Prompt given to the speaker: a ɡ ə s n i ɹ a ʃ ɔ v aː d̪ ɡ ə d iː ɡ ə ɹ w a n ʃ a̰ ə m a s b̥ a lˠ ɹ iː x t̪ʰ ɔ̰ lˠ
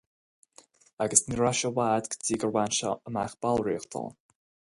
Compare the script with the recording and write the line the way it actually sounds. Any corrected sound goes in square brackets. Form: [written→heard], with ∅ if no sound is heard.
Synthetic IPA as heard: a ɡ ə s n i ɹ a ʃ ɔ [v→w] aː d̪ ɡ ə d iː ɡ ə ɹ w a n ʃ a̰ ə m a [s→x] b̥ a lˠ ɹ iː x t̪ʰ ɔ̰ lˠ